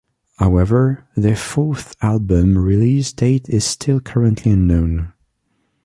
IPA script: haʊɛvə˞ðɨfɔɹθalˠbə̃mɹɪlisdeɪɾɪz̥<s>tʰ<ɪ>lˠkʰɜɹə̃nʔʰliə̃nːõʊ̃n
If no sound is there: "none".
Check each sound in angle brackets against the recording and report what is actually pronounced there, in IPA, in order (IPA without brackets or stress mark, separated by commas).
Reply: s, ɪ